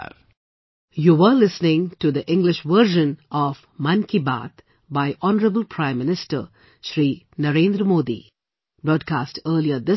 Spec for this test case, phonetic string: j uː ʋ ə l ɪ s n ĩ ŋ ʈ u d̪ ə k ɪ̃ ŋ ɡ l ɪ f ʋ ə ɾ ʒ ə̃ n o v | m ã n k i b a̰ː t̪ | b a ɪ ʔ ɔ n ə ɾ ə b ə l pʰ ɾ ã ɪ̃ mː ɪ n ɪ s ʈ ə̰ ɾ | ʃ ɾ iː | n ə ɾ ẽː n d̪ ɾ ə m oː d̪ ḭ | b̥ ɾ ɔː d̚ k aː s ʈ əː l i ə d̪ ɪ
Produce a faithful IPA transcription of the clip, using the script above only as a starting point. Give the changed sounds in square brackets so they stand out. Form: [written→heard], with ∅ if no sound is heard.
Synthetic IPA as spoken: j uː ʋ ə l ɪ s n [ĩ→ɪ̃] ŋ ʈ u d̪ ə [k→ʔ] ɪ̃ ŋ ɡ l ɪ [f→ʃ] ʋ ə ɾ ʒ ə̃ n [o→ɔ] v | m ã n k i b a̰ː t̪ | b a ɪ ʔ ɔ n ə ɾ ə b ə l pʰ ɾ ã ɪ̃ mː ɪ n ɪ s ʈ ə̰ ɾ | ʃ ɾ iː | n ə ɾ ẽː n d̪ ɾ ə m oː d̪ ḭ | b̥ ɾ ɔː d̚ k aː s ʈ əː l i ə d̪ ɪ

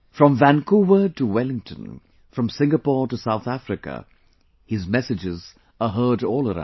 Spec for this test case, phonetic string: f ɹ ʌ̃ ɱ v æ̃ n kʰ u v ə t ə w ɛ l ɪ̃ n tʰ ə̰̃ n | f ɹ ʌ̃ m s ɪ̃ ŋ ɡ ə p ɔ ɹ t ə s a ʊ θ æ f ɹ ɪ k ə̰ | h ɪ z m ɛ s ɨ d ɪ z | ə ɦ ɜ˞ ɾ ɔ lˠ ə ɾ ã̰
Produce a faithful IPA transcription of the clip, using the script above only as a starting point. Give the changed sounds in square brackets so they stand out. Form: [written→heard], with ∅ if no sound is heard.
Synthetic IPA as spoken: f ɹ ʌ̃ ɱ v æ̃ n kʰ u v ə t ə w ɛ l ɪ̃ [n→ŋ] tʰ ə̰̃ n | f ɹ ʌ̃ m s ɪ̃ ŋ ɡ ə p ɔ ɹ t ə s a ʊ θ æ f ɹ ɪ k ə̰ | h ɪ z m ɛ s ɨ [d→d͡ʒ] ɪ z | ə ɦ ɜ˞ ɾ ɔ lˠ ə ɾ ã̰

